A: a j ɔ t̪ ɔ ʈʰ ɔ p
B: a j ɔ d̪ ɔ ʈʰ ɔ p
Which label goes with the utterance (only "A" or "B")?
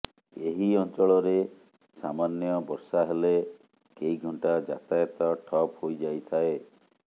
A